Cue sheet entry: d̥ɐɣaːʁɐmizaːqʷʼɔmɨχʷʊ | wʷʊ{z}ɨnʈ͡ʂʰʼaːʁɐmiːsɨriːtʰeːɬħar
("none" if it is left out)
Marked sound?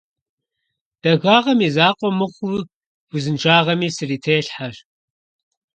z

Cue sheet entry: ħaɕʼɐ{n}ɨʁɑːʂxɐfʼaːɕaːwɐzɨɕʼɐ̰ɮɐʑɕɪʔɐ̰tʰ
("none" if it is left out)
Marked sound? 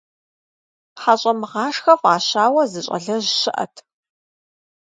m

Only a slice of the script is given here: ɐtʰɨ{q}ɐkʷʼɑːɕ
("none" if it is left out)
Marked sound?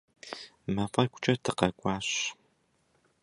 q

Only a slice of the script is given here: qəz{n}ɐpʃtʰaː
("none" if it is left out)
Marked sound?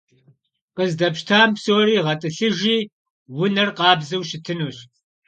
d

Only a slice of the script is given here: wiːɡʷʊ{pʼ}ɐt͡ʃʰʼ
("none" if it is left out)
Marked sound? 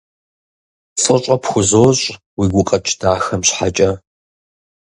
qʼ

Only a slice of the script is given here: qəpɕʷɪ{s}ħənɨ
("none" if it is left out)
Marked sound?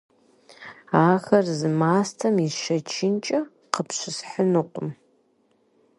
s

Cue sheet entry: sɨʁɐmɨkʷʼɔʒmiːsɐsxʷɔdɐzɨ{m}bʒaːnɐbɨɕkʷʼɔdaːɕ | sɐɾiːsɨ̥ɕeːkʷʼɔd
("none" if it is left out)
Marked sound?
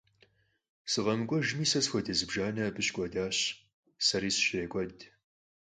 none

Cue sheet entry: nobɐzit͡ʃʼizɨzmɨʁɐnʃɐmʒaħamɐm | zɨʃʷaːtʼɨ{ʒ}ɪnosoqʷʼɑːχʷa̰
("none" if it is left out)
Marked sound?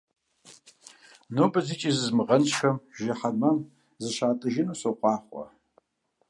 ʒ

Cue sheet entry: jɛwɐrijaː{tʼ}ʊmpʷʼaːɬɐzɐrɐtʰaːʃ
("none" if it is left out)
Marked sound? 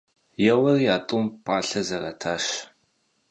tʼ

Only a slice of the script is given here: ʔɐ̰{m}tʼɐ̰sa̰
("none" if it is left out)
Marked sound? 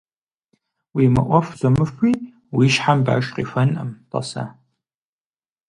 m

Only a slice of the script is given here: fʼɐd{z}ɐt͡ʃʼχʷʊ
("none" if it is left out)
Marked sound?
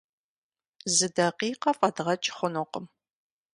ʁ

